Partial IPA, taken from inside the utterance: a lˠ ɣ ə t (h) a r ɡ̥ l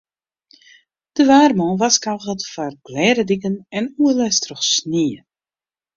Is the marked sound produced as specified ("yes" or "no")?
no